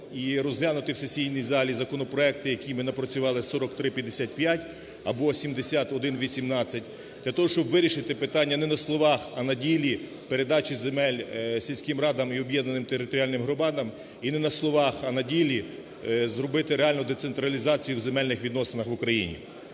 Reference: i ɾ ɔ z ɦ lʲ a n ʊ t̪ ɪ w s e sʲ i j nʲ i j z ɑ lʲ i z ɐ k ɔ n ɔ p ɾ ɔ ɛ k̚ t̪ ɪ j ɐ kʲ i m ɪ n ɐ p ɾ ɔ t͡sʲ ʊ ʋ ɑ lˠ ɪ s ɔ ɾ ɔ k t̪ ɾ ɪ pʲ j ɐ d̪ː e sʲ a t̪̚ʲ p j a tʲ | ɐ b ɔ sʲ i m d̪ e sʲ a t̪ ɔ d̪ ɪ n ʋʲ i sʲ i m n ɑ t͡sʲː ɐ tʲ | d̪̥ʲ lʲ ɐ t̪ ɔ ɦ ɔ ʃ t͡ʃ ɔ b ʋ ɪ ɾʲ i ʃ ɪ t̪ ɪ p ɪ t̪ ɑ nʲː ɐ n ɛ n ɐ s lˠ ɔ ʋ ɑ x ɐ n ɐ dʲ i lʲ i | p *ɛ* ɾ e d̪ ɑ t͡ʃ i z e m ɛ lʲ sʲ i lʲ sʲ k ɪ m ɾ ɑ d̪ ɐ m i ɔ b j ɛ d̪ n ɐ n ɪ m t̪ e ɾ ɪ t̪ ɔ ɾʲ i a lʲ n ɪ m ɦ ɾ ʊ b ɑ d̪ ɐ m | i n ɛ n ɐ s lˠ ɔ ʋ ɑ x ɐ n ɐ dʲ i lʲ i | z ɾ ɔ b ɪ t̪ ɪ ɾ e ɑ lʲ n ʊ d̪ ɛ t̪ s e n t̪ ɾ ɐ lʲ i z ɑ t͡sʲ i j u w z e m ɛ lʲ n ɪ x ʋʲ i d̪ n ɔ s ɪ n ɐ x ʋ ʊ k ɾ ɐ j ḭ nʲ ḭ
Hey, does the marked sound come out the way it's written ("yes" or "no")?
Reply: no